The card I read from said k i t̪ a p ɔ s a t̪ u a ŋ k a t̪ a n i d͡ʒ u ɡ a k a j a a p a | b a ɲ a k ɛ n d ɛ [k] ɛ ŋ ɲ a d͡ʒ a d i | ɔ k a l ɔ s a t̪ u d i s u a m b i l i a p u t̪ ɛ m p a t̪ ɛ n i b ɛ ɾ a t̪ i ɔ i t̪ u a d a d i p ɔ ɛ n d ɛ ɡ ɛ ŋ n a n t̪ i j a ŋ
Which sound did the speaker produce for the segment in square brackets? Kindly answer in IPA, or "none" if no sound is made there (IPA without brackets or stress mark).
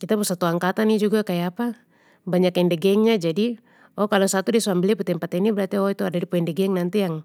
ɡ